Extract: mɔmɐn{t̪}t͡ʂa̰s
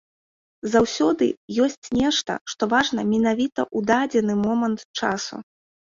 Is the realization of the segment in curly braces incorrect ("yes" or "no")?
no